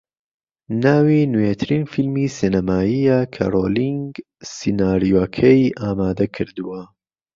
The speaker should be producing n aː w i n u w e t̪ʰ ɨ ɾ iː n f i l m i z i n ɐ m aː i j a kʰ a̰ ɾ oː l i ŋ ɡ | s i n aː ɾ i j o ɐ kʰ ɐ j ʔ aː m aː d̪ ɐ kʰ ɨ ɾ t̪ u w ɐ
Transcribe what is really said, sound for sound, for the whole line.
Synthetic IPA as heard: n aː w i n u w e t̪ʰ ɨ ɾ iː n f i l m i s i n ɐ m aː i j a kʰ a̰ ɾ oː l i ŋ ɡ | s i n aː ɾ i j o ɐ kʰ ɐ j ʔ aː m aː d̪ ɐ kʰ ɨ ɾ d̪ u w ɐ